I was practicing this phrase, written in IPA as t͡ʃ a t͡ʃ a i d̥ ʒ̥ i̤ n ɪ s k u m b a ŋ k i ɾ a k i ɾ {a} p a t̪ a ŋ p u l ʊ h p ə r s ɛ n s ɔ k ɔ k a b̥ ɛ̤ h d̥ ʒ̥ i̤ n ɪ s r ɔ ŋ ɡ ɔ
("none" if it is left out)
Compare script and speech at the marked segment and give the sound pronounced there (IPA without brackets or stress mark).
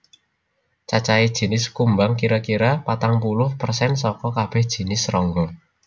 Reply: a